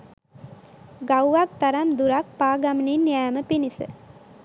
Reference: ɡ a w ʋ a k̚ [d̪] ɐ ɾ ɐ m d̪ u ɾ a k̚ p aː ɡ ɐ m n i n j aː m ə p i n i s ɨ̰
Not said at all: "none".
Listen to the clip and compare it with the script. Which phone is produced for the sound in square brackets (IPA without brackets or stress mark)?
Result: t̪